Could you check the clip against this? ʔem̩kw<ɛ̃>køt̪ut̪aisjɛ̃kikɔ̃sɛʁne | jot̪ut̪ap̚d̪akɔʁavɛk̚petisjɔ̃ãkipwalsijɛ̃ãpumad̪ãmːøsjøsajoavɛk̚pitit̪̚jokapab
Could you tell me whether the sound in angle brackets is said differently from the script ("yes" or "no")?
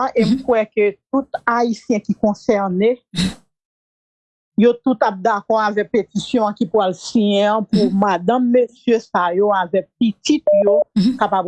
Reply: yes